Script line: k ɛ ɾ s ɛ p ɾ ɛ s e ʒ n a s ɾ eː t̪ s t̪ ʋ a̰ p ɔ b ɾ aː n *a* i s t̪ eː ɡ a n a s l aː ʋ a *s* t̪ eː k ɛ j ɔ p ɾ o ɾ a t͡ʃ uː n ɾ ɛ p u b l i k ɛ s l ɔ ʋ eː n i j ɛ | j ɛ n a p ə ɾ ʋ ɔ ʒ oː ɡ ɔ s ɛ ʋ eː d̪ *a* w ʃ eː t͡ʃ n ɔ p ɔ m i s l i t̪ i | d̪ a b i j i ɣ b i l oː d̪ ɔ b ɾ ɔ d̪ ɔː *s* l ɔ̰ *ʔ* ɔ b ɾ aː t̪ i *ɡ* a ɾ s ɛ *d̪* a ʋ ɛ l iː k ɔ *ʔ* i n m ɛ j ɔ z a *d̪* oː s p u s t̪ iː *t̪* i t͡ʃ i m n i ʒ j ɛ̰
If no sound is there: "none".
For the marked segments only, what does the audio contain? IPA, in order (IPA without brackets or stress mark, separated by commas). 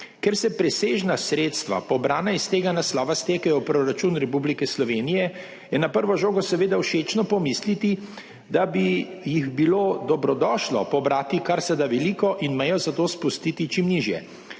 a, s, a, ʃ, p, k, d̪, ʔ, t̪, t̪